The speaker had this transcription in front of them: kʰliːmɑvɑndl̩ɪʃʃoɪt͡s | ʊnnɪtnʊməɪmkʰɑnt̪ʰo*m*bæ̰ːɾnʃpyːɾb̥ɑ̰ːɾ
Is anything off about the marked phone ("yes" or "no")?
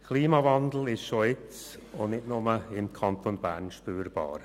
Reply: yes